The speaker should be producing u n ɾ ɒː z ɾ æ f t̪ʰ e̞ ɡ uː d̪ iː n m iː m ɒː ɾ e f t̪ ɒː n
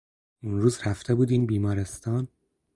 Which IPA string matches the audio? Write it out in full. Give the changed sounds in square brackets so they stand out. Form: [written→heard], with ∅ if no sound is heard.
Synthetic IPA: u n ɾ [ɒː→uː] z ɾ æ f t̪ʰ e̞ [ɡ→b] uː d̪ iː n [m→b] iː m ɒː ɾ e [f→s] t̪ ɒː n